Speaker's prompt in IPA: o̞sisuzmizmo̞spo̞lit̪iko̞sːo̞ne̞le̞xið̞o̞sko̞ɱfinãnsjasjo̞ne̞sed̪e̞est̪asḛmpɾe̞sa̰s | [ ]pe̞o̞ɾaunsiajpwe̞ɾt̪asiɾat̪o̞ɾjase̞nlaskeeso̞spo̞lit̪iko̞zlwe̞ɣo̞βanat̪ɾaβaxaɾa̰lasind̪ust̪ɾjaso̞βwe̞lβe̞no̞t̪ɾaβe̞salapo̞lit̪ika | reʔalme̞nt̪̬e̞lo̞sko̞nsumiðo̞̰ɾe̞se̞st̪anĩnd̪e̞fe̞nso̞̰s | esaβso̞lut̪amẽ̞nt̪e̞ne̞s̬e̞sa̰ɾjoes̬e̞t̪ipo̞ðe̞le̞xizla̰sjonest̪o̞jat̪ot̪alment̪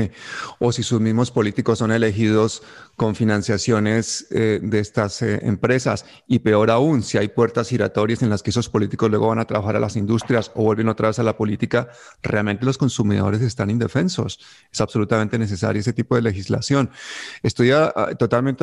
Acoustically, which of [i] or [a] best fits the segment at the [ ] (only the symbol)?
i